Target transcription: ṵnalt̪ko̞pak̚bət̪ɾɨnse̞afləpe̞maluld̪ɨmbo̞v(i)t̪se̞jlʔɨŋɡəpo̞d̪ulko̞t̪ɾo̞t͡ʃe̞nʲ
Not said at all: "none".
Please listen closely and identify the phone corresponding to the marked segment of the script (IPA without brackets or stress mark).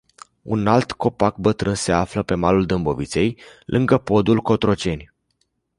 i